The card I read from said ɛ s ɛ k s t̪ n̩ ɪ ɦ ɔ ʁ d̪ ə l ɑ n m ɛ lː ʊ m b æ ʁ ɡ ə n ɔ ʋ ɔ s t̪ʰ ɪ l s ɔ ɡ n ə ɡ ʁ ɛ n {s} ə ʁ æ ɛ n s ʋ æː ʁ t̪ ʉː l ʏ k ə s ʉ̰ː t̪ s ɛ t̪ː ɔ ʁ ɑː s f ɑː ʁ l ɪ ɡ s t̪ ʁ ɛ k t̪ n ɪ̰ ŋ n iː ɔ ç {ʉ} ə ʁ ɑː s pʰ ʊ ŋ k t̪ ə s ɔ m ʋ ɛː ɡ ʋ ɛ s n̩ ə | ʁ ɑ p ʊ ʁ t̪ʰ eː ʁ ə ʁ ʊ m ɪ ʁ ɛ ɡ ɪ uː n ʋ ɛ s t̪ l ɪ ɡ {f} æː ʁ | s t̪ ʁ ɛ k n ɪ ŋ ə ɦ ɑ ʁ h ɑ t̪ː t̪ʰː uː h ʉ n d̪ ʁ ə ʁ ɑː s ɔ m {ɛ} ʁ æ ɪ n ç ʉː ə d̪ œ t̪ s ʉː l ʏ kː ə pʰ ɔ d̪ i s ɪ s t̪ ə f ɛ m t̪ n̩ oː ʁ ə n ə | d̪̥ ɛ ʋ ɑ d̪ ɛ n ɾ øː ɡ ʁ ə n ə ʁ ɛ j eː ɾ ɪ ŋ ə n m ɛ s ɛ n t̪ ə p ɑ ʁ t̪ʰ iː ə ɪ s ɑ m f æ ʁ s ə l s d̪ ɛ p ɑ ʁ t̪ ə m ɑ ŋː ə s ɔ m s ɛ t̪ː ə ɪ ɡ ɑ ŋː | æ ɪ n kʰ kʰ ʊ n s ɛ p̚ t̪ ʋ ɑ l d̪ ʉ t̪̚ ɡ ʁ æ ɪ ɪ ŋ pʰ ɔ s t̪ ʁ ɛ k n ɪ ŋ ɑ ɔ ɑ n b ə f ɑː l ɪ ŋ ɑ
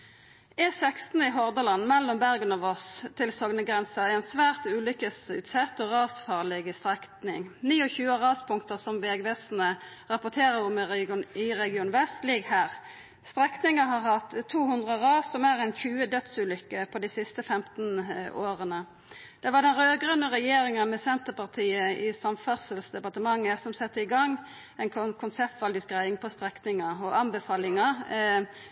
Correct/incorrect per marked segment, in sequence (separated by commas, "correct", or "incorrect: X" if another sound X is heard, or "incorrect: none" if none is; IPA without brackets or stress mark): correct, incorrect: ʉː, incorrect: h, incorrect: æ